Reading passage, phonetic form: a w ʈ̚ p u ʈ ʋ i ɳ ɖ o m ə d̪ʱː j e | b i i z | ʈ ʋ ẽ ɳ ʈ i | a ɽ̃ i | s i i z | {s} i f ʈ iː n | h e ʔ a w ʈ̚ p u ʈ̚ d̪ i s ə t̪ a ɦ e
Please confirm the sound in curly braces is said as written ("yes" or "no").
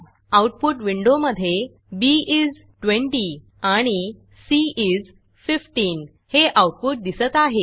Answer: no